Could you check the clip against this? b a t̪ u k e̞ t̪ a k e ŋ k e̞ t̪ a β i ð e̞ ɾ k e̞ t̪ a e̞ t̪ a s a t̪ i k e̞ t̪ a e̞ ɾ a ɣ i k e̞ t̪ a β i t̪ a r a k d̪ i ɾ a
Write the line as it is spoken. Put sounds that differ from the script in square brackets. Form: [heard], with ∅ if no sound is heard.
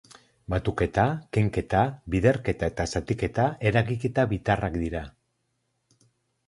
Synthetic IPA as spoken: b a t̪ u k e̞ t̪ a k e ŋ k e̞ t̪ a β i ð e̞ ɾ k e̞ t̪ a e̞ t̪ a s a t̪ i k e̞ t̪ a e̞ ɾ a ɣ i k e̞ t̪ a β i t̪ a r a k d̪ i ɾ a